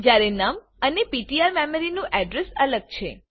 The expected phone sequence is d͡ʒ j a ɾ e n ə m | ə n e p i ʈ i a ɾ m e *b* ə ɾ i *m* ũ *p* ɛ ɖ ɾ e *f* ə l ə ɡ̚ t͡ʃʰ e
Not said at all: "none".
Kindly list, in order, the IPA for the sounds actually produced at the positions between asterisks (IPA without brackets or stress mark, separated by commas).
m, n, ʔ, s